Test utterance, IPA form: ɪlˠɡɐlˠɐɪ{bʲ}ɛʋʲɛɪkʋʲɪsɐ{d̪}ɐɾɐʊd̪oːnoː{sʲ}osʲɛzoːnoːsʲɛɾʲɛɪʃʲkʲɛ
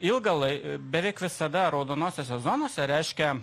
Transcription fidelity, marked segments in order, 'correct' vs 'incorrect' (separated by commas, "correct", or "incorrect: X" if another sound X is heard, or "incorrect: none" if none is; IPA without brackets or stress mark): correct, correct, correct